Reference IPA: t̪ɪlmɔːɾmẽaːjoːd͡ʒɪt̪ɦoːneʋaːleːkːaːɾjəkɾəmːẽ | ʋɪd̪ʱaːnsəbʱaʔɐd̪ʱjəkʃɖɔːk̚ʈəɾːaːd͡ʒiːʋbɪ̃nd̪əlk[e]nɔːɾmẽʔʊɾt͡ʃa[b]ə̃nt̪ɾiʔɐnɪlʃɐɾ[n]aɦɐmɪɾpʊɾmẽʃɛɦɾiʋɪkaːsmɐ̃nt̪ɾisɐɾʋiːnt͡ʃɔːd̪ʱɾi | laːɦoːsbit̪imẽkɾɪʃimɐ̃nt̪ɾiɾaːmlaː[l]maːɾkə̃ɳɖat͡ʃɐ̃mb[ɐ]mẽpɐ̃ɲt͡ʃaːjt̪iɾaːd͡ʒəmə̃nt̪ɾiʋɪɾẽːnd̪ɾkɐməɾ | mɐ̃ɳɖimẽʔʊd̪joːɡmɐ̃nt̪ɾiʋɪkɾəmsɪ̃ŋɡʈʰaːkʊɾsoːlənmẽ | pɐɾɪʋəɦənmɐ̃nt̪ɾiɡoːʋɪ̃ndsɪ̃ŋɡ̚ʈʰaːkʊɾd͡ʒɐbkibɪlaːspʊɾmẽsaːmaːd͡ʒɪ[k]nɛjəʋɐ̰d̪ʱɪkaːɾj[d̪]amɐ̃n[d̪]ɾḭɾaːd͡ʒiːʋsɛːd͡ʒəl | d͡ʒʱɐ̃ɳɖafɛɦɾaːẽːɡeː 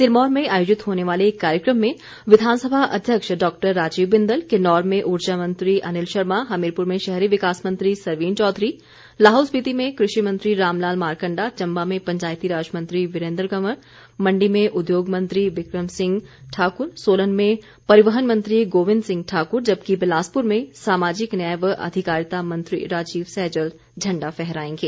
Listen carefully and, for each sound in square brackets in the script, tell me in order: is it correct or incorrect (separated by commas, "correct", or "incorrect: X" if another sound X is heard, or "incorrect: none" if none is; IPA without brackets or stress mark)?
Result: correct, incorrect: m, incorrect: m, correct, incorrect: a, correct, incorrect: t̪, incorrect: t̪